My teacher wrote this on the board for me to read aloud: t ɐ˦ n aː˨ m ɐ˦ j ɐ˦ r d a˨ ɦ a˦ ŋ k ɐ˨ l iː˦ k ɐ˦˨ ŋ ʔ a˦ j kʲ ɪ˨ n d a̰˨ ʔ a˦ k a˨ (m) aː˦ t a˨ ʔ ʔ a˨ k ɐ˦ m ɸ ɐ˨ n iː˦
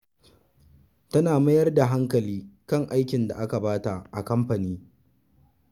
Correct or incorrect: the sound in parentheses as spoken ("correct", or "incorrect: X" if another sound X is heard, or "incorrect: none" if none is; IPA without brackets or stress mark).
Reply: incorrect: b